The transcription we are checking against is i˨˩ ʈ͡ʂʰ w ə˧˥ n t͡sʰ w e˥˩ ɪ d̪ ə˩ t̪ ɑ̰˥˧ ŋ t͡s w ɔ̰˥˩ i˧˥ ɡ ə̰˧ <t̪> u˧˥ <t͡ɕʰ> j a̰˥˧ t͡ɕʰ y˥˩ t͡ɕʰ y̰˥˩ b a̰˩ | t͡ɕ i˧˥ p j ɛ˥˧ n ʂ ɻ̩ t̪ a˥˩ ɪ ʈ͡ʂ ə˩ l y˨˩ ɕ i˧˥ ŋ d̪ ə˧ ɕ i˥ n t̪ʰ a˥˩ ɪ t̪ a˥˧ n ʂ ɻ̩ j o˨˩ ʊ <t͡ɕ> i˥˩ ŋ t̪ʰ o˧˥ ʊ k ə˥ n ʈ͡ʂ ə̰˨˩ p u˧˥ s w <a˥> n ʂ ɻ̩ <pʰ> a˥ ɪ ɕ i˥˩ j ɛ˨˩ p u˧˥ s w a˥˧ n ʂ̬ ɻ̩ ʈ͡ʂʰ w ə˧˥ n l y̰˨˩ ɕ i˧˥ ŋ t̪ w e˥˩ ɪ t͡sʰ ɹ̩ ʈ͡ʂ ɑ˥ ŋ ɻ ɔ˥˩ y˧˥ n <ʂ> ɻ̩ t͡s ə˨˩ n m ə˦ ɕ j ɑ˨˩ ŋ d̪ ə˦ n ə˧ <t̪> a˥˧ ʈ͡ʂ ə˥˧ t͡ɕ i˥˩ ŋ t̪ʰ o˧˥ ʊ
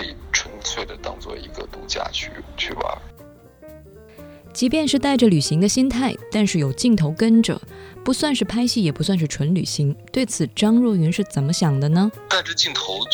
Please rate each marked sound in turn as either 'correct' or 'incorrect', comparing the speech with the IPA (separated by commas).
correct, incorrect, correct, incorrect, correct, correct, correct